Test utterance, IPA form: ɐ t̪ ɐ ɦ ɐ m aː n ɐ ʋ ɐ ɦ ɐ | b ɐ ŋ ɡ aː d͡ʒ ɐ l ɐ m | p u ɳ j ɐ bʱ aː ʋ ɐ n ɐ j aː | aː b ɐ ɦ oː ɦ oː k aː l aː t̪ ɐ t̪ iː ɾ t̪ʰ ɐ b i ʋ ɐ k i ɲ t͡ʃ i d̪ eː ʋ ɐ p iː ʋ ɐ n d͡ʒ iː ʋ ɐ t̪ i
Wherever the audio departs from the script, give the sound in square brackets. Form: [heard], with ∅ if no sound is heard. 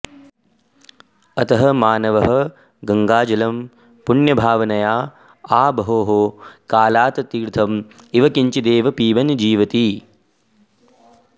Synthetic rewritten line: ɐ t̪ ɐ ɦ ɐ m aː n ɐ ʋ ɐ ɦ ɐ | [ɡ] ɐ ŋ ɡ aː d͡ʒ ɐ l ɐ m | p u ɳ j ɐ bʱ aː ʋ ɐ n ɐ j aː | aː b ɐ ɦ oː ɦ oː k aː l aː t̪ ɐ t̪ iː ɾ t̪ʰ ɐ [m] i ʋ ɐ k i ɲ t͡ʃ i d̪ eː ʋ ɐ p iː ʋ ɐ n d͡ʒ iː ʋ ɐ t̪ i